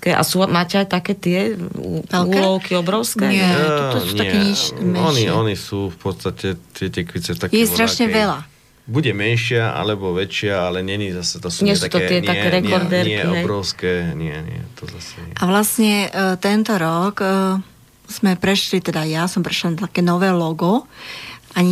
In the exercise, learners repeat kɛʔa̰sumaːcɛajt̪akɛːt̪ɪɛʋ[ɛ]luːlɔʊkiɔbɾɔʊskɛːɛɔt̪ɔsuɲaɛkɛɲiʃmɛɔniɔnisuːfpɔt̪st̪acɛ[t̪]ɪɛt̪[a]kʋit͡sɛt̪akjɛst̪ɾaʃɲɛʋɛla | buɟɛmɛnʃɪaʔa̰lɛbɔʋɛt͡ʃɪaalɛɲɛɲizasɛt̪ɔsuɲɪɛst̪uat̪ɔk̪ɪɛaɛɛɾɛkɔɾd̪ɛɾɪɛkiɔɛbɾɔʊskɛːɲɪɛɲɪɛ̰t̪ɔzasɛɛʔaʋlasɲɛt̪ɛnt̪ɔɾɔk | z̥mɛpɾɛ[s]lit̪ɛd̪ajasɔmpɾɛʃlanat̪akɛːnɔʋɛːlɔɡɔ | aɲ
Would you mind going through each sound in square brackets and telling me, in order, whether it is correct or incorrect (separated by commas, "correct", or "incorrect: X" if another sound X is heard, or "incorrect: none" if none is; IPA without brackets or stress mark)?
correct, correct, incorrect: ɛ, incorrect: ʃ